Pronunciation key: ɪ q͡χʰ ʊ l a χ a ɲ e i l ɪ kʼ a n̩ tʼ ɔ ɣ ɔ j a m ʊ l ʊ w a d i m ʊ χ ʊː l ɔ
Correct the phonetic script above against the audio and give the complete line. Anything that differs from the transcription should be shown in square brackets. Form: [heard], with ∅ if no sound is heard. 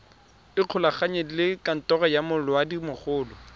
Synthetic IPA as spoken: ɪ q͡χʰ ʊ l a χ a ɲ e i l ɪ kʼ a n̩ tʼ ɔ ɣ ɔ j a m ʊ l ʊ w a d i m ʊ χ ʊː l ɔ